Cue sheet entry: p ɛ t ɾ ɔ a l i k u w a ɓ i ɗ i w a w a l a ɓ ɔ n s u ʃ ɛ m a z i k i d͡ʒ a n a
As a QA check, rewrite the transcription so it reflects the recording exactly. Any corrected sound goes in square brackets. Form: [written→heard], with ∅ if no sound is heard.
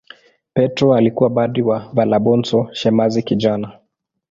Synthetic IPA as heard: p ɛ t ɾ ɔ a l i k u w a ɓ [i→a] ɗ i w a [w→v] a l a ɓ ɔ n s [u→ɔ] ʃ ɛ m a z i k i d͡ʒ a n a